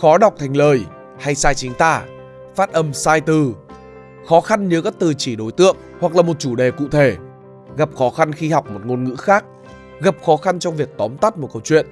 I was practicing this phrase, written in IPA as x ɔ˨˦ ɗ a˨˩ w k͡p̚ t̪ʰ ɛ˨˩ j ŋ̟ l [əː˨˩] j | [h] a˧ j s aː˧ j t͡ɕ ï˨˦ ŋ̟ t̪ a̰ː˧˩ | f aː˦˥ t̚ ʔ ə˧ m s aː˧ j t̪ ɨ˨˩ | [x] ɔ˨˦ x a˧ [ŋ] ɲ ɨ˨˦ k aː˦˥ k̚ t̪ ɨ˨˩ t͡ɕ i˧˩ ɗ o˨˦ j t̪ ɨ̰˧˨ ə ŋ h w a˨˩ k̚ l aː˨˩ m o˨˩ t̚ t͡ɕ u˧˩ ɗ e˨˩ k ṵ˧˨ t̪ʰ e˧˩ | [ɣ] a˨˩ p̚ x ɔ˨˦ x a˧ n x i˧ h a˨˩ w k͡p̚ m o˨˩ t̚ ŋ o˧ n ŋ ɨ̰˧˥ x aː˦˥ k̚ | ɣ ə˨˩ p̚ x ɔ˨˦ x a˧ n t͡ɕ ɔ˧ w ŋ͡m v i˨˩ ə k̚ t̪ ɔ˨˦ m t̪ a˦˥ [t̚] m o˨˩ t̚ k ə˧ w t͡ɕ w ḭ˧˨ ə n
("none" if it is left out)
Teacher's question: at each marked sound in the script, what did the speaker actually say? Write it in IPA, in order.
əː˨˩, h, x, n, ɣ, t̚

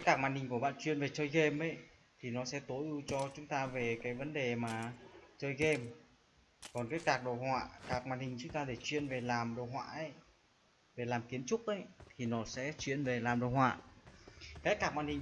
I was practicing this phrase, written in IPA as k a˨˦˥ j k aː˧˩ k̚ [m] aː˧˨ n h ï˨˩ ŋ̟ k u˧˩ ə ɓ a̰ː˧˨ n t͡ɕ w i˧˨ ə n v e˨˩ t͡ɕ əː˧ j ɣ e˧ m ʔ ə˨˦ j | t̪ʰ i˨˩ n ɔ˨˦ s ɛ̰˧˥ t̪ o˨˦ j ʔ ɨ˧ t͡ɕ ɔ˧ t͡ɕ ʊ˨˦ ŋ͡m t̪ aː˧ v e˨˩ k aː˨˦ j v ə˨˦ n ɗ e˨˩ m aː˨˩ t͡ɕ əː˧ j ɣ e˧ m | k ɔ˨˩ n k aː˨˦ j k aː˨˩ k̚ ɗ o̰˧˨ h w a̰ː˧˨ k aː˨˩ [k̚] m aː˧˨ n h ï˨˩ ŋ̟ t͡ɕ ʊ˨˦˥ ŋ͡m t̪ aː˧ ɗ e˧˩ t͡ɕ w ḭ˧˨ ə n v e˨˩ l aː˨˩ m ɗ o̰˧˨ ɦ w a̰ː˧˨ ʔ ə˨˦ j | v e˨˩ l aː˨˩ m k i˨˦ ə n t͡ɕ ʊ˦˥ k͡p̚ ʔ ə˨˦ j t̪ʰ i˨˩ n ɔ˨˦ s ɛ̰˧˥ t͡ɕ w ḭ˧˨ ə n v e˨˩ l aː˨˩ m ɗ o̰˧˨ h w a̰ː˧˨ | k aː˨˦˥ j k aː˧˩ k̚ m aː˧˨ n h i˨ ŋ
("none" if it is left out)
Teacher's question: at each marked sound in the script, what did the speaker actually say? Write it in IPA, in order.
m, k̚

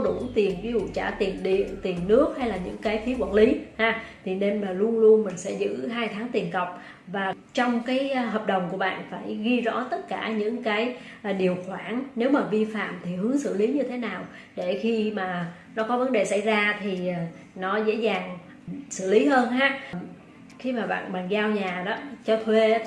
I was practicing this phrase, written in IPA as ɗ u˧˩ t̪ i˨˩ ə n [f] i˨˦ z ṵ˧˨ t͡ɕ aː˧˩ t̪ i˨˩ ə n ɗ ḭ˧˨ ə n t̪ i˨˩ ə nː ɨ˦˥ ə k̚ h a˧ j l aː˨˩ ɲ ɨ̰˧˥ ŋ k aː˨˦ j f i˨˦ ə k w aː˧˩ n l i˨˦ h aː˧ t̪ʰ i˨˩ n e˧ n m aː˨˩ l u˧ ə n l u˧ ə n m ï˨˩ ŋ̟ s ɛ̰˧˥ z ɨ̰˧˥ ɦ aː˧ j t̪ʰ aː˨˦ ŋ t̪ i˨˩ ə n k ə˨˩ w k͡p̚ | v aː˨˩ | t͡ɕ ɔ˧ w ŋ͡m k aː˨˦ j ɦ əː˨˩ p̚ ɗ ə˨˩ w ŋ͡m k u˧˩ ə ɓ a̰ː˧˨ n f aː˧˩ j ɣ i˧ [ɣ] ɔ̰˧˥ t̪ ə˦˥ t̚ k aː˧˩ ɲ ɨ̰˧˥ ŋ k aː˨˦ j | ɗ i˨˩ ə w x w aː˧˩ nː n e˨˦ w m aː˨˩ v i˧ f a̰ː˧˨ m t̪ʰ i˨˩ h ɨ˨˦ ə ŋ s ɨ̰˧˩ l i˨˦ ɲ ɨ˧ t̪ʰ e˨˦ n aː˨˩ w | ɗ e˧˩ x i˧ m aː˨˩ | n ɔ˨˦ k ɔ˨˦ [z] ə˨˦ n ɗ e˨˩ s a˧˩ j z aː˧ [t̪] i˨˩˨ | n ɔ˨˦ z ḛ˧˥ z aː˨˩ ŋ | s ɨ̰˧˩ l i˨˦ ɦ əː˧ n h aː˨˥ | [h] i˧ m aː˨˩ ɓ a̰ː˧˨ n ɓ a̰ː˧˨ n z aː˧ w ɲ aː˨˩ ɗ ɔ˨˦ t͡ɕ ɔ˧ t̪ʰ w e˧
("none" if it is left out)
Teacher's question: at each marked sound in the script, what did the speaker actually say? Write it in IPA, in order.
v, z, v, t̪ʰ, x

